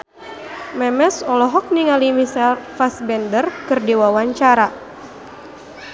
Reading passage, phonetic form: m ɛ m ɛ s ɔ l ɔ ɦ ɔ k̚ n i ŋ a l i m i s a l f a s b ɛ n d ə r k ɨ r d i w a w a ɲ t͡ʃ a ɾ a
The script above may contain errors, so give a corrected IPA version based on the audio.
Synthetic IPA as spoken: m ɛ m ɛ s ɔ l ɔ ɦ ɔ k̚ n i ŋ a l i m i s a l f a s b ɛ n d ə r k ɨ r d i w a w a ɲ t͡ʃ a ɾ a